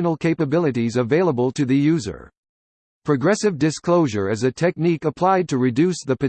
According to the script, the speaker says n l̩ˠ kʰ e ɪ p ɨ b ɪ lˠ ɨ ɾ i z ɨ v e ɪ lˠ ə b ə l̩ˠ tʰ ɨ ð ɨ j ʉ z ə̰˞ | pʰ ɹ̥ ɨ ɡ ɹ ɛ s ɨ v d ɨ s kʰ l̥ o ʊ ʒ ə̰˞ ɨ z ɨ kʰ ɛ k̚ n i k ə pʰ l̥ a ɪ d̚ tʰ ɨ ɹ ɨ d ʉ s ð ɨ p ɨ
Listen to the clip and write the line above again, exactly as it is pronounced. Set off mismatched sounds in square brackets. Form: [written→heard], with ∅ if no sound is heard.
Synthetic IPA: n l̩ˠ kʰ e ɪ p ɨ b ɪ lˠ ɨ ɾ i z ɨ v e ɪ lˠ ə b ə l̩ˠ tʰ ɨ ð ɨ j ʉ z ə̰˞ | pʰ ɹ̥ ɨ ɡ ɹ ɛ s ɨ v d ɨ s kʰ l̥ o ʊ ʒ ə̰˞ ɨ z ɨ [kʰ→tʰ] ɛ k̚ n i k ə pʰ l̥ a ɪ d̚ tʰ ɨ ɹ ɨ d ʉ s ð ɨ p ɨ